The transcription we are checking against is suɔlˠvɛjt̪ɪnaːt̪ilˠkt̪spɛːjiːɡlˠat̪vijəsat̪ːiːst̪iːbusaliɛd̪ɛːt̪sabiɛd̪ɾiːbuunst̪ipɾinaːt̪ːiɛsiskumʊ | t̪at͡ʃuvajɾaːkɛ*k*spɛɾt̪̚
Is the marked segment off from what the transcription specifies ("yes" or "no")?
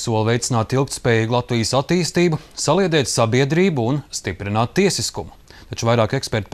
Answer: no